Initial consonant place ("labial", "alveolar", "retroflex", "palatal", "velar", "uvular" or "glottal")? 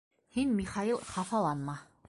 glottal